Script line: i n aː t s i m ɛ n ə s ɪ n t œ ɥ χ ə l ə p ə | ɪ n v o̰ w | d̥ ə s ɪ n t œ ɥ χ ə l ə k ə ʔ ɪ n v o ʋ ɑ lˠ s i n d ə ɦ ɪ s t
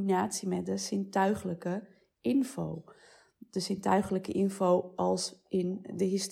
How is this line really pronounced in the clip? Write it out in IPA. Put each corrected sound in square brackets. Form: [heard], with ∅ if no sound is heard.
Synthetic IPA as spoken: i n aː t s i m ɛ [d] ə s ɪ n t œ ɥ χ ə l ə [k] ə | ɪ n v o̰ w | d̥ ə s ɪ n t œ ɥ χ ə l ə k ə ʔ ɪ n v o [w] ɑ lˠ s [ɪ] n d ə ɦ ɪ s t